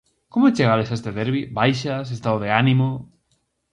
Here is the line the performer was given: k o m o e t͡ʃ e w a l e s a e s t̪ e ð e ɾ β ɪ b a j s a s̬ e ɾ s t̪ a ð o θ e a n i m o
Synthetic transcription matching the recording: k o m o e t͡ʃ e ɣ a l e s a e s t̪ e ð e ɾ β i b a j ʃ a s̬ e s t̪ a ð o ð e a n i m o